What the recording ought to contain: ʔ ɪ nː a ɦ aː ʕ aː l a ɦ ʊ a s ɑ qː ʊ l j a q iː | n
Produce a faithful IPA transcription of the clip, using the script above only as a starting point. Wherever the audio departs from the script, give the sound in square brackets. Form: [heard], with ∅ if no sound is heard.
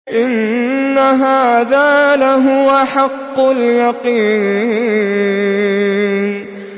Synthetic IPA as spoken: ʔ ɪ nː a ɦ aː [ð] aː l a ɦ ʊ a [ħ] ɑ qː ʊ l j [ɑ] q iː | n